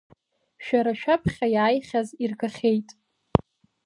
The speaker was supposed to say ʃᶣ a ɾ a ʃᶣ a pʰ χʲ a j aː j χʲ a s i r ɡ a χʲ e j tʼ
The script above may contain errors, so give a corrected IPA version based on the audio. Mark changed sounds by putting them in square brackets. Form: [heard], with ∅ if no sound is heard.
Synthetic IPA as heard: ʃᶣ a ɾ a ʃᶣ a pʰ χʲ a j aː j χʲ a [z] i r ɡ a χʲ e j tʼ